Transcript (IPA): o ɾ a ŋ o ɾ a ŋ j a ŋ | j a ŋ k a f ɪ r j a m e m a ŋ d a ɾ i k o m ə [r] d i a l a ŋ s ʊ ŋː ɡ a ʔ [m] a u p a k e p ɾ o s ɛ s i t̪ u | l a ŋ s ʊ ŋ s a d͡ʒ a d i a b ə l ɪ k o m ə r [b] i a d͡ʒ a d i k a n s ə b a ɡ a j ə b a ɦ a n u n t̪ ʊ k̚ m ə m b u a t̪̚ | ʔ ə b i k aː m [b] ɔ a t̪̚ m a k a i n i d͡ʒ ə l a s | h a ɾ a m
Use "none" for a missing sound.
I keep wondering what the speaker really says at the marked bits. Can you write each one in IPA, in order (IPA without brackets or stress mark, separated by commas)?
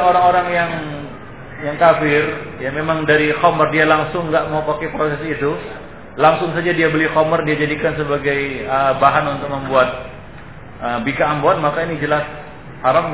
r, m, d, b